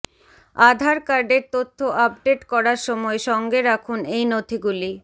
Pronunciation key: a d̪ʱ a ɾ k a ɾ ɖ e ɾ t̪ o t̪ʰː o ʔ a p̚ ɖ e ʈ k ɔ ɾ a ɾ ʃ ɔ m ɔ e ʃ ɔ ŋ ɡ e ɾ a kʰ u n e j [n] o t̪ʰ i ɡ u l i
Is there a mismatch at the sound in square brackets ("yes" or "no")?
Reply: no